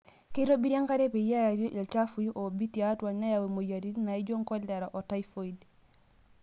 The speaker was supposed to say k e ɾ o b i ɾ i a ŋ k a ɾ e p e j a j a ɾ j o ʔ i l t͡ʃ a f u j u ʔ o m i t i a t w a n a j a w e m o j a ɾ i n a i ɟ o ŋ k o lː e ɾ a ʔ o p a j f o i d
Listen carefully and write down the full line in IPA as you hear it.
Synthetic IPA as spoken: k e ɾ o b i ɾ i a ŋ k a ɾ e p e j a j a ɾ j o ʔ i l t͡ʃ a f u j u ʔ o b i t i a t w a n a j a w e m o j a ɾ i n a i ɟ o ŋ k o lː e ɾ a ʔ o t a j f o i d